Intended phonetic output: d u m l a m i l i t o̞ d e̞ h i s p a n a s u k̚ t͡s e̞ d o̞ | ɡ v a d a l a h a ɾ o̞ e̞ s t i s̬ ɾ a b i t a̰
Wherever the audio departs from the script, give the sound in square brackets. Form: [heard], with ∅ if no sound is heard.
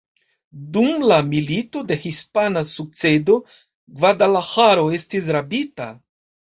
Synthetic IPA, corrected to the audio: d u m l a m i l i t o̞ d e̞ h i s p a n a s u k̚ t͡s e̞ d o̞ | ɡ v a d a l a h a ɾ o̞ e̞ s t i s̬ ɾ a b i t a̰

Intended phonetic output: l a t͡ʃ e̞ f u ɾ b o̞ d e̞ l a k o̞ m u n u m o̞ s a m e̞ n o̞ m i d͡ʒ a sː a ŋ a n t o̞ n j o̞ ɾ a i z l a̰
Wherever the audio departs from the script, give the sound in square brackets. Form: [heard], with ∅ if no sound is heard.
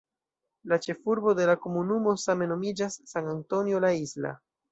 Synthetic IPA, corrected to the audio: l a t͡ʃ e̞ f u ɾ b o̞ d e̞ l a k o̞ m u n u m o̞ s a m e̞ n o̞ m i d͡ʒ a sː a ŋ a n t o̞ n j o̞ [l] a i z l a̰

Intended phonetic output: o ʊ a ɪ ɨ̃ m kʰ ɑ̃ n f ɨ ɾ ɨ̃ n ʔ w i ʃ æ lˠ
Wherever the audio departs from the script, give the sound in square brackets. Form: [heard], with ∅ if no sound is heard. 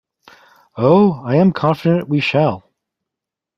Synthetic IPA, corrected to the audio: o ʊ a ɪ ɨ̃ m kʰ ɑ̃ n f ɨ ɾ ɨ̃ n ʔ w i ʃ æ lˠ

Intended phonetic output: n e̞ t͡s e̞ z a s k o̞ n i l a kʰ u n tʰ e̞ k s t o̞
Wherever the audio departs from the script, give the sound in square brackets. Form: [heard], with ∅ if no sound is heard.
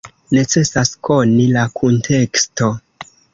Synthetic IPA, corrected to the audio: n e̞ t͡s e̞ [s] a s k o̞ n i l a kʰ u n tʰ e̞ k s t o̞

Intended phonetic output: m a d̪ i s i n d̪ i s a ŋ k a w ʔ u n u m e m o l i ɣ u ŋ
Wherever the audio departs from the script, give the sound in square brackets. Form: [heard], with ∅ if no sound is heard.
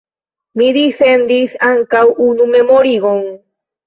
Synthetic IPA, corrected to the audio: m [i] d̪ i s [e] n d̪ i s a ŋ k a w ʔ u n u m e m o [ɾ] i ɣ [o] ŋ

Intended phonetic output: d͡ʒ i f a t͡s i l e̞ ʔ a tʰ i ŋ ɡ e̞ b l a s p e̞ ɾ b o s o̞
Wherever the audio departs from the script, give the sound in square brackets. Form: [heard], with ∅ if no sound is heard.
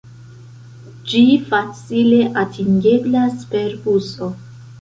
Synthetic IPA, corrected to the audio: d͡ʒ i f a t͡s i l e̞ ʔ a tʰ i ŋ ɡ e̞ b l a s p e̞ ɾ b [u] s o̞

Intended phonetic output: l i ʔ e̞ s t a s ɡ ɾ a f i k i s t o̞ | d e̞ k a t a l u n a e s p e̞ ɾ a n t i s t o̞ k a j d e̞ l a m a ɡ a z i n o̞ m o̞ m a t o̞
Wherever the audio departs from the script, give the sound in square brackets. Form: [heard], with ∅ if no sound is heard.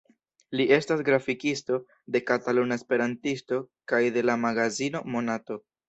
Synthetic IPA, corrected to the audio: l i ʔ e̞ s t a s ɡ ɾ a f i k i s t o̞ | d e̞ k a t a l u n a e s p e̞ ɾ a n t i s t o̞ k a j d e̞ l a m a ɡ a z i n o̞ m o̞ [n] a t o̞

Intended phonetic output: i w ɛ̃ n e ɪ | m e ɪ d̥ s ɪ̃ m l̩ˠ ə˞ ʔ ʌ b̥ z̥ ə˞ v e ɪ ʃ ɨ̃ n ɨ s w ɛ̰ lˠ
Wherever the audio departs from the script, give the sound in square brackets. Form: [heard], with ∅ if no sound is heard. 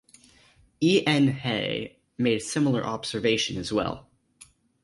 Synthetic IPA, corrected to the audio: i [∅] ɛ̃ n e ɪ | m e ɪ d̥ s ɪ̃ m l̩ˠ ə˞ ʔ [ɑ] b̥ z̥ ə˞ v e ɪ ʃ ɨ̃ n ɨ [z] w ɛ̰ lˠ

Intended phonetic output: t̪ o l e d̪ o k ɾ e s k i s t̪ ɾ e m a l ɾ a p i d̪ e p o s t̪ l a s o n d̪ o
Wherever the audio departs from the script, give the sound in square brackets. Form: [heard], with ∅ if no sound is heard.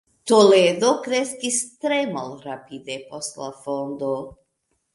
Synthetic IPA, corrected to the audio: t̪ o l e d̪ o k ɾ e s k i s t̪ ɾ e m a l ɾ a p i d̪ e p o s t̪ l a [f] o n d̪ o

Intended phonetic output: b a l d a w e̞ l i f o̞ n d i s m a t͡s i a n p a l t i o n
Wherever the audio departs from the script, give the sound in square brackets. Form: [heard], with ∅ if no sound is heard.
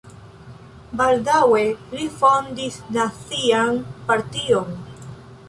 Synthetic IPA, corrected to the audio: b a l d a w e̞ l i f o̞ n d i s [n] a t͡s i a n p a [ɾ] t i o n

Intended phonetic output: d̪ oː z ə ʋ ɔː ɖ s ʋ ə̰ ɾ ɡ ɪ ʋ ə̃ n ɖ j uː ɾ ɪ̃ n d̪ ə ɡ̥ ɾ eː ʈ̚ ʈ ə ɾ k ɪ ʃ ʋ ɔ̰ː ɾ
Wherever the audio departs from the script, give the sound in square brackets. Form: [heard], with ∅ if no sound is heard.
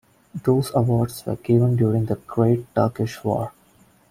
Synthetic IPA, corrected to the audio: d̪ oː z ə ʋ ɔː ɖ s ʋ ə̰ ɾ ɡ ɪ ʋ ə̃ n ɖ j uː ɾ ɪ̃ [ŋ] d̪ ə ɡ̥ ɾ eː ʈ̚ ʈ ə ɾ k ɪ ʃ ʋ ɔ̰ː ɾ

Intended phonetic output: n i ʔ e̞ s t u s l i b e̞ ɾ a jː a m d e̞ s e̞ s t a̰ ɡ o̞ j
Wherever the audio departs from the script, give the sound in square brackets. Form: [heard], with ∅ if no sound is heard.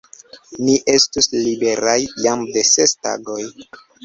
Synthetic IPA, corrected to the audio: n i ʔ e̞ s t u s l i b e̞ ɾ a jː a m d e̞ s e̞ s t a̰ ɡ o̞ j

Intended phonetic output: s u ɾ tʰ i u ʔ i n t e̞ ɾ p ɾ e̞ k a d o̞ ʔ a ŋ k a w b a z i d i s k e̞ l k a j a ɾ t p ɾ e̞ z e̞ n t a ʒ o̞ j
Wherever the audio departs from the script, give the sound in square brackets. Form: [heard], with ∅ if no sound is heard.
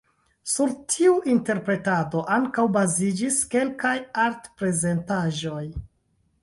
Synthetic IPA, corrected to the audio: s u ɾ tʰ i u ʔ i n t e̞ ɾ p ɾ e̞ [t] a d o̞ ʔ a ŋ k a w b a z i [d͡ʒ] i s k e̞ l k a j a ɾ t p ɾ e̞ z e̞ n t a ʒ o̞ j

